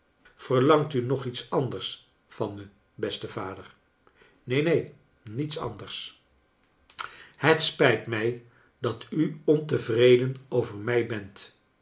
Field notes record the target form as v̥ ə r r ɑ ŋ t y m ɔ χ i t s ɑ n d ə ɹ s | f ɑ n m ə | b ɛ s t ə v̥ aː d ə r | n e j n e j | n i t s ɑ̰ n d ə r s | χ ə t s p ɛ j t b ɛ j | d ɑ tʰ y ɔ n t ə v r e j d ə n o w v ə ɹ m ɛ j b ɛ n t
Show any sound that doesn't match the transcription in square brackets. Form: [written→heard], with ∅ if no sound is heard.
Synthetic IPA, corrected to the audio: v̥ ə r [r→l] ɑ ŋ t y [m→n] ɔ χ i t s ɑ n d ə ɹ s | f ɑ n m ə | b ɛ s t ə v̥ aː d ə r | n e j n e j | n i t s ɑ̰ n d ə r s | [χ→h] ə t s p ɛ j t [b→m] ɛ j | d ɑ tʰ y ɔ n t ə v r e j d ə n o w v ə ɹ m ɛ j b ɛ n t